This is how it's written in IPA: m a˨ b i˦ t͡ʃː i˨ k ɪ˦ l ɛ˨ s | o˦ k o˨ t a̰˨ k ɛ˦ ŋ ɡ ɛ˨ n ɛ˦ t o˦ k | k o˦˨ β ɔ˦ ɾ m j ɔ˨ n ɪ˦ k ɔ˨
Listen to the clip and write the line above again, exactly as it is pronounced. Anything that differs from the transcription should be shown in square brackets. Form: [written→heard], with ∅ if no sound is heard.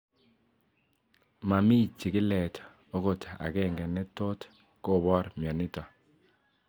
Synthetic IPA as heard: m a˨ [b→m] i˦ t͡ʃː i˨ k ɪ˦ l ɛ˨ [s→t] | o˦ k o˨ t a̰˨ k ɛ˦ ŋ ɡ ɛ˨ n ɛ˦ t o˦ [k→t] | k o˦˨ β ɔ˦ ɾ m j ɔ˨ n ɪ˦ [k→t] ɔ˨